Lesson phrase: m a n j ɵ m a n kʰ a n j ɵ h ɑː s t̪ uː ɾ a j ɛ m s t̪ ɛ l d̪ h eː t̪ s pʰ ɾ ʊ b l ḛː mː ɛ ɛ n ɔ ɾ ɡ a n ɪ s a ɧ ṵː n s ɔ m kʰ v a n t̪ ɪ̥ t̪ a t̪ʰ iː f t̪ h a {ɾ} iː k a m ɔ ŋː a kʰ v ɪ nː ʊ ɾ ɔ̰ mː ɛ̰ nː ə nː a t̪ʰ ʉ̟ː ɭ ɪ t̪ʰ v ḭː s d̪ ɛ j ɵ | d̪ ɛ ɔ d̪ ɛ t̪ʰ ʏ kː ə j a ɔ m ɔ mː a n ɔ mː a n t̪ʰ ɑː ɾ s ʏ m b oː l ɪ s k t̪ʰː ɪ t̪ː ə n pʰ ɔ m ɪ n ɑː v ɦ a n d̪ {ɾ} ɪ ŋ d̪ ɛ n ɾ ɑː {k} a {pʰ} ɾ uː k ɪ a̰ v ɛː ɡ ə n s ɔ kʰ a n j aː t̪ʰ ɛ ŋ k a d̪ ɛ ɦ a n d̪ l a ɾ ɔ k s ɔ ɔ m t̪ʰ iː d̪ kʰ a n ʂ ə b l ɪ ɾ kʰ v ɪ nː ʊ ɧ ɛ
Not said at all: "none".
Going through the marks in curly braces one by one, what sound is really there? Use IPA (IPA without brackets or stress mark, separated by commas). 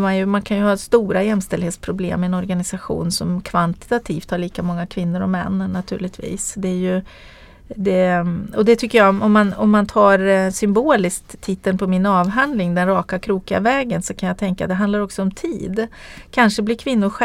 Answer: ɭ, l, k, kʰ